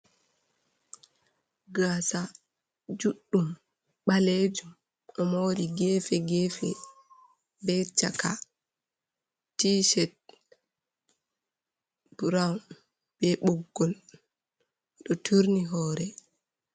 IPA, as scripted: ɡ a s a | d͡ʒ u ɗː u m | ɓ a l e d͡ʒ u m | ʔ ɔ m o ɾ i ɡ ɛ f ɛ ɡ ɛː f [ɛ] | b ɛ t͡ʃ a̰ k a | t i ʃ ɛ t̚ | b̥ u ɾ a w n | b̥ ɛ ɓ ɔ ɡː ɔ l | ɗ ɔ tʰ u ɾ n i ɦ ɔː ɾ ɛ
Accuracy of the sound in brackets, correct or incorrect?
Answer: correct